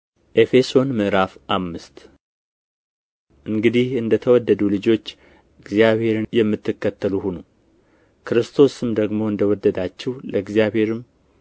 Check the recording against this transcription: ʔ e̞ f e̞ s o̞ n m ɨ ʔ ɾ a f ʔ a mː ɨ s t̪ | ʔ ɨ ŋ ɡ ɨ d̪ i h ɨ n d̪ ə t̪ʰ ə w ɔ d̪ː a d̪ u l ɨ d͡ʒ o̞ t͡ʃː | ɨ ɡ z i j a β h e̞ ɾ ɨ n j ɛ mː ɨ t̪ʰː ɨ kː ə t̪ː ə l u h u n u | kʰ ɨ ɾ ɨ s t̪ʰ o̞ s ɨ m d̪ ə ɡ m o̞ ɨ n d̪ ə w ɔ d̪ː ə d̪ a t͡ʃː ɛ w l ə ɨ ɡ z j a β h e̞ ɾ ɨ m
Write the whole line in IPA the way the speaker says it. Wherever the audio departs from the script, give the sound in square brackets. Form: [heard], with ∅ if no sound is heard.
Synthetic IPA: ʔ e̞ f e̞ s o̞ n m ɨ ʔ ɾ a f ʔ a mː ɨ s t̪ | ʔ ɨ ŋ ɡ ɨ d̪ i h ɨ n d̪ ə t̪ʰ ə w ɔ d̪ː [ə] d̪ u l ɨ d͡ʒ o̞ t͡ʃː | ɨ ɡ z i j a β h e̞ ɾ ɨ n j ɛ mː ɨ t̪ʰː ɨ kː ə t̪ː ə l u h u n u | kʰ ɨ ɾ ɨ s t̪ʰ o̞ s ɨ m d̪ ə ɡ m o̞ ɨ n d̪ ə w ɔ d̪ː ə d̪ a t͡ʃː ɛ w l ə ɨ ɡ z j a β h e̞ ɾ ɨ m